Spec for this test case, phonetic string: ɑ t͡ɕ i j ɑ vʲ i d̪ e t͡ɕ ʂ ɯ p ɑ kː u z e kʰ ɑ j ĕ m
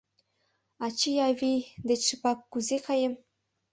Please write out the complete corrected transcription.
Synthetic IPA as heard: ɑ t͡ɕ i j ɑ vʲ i d̪ e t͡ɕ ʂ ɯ p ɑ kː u z e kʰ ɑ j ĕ m